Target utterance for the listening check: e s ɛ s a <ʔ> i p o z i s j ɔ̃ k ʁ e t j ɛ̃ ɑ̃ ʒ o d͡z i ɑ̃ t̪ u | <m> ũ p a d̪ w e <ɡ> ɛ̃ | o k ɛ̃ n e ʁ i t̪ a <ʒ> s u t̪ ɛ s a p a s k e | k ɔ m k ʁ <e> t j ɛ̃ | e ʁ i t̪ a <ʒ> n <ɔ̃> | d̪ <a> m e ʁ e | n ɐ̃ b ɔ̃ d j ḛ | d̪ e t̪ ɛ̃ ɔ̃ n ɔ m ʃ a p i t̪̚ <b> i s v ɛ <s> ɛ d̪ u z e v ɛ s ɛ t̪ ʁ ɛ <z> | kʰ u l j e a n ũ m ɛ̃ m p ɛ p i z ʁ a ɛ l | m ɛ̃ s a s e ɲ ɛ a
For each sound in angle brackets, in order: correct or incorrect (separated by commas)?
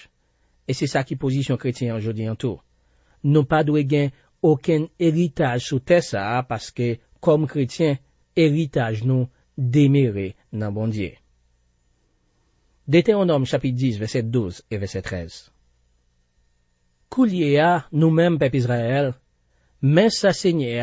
incorrect, incorrect, correct, correct, correct, correct, incorrect, incorrect, incorrect, correct, correct